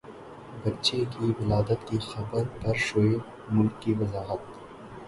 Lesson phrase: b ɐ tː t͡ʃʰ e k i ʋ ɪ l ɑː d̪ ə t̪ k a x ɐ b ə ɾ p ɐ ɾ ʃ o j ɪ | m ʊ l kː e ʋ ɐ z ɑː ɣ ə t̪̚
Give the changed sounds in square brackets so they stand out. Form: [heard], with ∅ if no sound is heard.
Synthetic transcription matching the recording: b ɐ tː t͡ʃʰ e k i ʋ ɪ l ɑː d̪ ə t̪ k [i] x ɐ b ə ɾ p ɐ ɾ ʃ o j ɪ | m ʊ l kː [i] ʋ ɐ z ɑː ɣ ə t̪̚